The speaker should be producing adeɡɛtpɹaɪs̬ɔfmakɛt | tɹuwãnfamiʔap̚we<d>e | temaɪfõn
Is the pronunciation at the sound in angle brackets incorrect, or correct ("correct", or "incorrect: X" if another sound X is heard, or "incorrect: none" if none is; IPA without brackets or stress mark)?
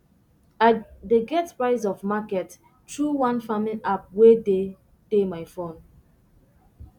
correct